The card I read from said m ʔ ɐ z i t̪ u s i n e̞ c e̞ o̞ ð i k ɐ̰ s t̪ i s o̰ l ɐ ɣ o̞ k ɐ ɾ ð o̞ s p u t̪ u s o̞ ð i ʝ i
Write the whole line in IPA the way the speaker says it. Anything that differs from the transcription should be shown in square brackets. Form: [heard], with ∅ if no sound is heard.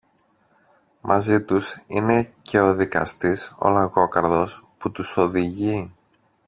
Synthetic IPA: m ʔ ɐ z i t̪ u s i n e̞ c e̞ o̞ ð i k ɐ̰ s t̪ i s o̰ l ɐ ɣ o̞ k ɐ ɾ ð o̞ s p u t̪ u s o̞ ð i ʝ i